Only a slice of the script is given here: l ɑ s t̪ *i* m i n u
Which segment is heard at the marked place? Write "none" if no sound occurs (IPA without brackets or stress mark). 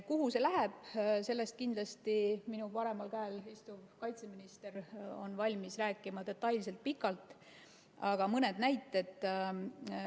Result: i